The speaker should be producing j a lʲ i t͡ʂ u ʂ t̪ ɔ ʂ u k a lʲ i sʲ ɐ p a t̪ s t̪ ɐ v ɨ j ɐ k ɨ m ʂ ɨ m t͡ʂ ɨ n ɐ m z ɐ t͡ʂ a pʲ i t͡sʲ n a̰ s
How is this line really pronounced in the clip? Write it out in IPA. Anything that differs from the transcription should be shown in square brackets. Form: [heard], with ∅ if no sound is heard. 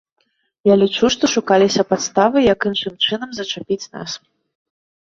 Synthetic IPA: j a lʲ i t͡ʂ u ʂ t̪ ɔ ʂ u k a lʲ i sʲ ɐ p a t̪ s t̪ [a] v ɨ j ɐ k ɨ [n] ʂ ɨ m t͡ʂ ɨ n ɐ m z ɐ t͡ʂ a pʲ i t͡sʲ n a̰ s

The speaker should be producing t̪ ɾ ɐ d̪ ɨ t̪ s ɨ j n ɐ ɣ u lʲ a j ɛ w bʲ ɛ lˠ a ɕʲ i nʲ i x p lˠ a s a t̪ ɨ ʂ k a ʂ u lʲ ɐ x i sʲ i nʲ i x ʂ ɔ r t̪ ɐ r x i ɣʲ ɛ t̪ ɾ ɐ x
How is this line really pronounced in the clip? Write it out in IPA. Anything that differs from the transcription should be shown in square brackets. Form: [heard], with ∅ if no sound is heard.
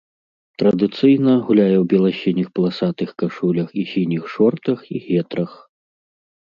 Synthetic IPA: t̪ ɾ ɐ d̪ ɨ t̪ s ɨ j n ɐ ɣ u lʲ a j ɛ w bʲ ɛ lˠ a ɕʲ i nʲ i x p lˠ a s a t̪ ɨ [x] k a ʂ u lʲ ɐ x i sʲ i nʲ i x ʂ ɔ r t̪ ɐ [∅] x i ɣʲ ɛ t̪ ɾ ɐ x

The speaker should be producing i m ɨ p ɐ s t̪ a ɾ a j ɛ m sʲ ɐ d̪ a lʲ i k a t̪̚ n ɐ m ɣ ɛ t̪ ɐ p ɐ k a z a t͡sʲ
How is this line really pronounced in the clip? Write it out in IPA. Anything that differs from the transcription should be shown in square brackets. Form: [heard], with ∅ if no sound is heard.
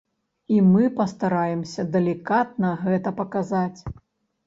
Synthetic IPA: i m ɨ p ɐ s t̪ a ɾ a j ɛ m sʲ ɐ d̪ [ɐ] lʲ i k a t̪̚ n ɐ [∅] ɣ ɛ t̪ ɐ p ɐ k a z a t͡sʲ

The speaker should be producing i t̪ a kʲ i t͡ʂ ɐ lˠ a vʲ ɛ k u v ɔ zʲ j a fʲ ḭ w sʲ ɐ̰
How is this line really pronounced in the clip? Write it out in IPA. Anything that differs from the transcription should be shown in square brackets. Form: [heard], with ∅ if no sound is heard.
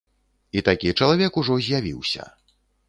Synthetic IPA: i t̪ a kʲ i t͡ʂ ɐ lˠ a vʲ ɛ k u [ʐ] ɔ zʲ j a [vʲ] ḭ w sʲ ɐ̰

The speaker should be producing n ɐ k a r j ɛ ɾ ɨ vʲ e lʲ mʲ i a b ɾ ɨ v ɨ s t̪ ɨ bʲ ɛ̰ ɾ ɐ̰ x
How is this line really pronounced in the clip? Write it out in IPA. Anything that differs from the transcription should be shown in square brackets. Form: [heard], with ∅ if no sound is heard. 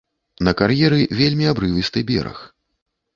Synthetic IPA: n ɐ k a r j ɛ ɾ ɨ vʲ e lʲ mʲ i a b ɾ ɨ v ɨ s t̪ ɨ bʲ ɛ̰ ɾ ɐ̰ x

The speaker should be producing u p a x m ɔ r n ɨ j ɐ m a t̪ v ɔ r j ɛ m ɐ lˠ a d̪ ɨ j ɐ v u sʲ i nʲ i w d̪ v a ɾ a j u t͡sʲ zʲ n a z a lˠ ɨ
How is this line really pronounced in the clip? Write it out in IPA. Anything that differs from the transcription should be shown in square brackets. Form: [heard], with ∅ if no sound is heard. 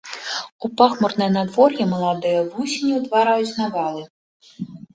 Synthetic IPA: u p a x m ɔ r n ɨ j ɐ [n] a [d̪] v ɔ r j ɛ m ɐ lˠ a d̪ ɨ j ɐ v u sʲ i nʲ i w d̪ v a ɾ a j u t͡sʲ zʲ n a [v] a lˠ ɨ

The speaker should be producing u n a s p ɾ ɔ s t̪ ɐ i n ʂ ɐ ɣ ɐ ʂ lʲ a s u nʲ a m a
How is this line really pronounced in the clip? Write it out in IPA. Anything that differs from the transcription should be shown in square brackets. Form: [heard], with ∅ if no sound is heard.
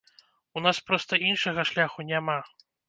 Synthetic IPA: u n a s p ɾ ɔ s t̪ ɐ i n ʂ ɐ ɣ ɐ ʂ lʲ a [x] u nʲ a m a

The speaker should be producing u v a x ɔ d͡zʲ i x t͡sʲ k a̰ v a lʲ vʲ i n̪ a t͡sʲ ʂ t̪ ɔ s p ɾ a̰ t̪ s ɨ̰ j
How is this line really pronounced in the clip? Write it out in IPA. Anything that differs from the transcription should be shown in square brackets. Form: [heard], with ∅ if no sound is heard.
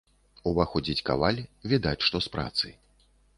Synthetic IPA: u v a x ɔ d͡zʲ i [∅] t͡sʲ k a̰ v a lʲ vʲ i [d̪] a t͡sʲ ʂ t̪ ɔ s p ɾ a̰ t̪ s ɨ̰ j

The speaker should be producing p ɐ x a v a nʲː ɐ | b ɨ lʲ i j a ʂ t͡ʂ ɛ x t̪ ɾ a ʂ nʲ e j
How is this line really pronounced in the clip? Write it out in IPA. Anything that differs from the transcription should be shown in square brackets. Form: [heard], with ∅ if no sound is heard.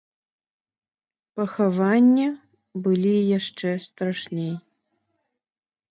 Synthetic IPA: p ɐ x a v a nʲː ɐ | b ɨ lʲ i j a ʂ t͡ʂ ɛ [s] t̪ ɾ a ʂ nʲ e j

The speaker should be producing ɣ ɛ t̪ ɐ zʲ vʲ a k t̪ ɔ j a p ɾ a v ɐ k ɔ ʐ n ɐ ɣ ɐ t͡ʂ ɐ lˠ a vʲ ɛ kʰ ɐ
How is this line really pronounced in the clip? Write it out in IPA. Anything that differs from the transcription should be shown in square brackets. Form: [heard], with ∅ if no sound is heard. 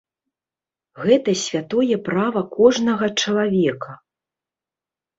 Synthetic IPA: ɣ ɛ t̪ ɐ [sʲ] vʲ a [∅] t̪ ɔ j [ɛ] p ɾ a v ɐ k ɔ ʐ n ɐ ɣ ɐ t͡ʂ ɐ lˠ a vʲ ɛ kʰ ɐ

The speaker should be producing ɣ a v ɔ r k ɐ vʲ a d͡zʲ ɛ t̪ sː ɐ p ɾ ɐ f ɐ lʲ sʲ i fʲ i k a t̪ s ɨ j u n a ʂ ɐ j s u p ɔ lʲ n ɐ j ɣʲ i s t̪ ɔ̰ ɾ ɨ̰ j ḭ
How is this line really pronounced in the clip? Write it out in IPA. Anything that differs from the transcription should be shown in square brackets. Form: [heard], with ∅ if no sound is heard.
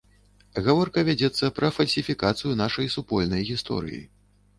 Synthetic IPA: ɣ a v ɔ r k ɐ vʲ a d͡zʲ ɛ t̪ sː ɐ p ɾ ɐ f ɐ lʲ sʲ i fʲ i k a t̪ s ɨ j u n a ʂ ɐ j s u p ɔ lʲ n ɐ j ɣʲ i s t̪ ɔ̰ ɾ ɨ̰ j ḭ

